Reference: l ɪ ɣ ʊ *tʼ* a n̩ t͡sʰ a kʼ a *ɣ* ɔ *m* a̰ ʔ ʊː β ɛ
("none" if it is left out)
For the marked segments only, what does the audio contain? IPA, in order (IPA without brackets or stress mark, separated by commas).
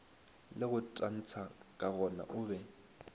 tʼ, ɣ, n